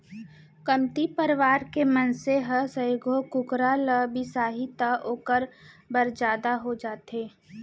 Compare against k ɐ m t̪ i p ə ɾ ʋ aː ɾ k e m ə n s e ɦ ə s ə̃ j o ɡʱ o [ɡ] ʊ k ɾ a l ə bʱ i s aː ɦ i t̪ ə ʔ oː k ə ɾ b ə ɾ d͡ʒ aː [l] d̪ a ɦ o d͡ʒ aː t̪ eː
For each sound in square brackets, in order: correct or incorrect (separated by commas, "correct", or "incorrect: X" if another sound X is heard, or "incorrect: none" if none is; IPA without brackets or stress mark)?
incorrect: k, incorrect: none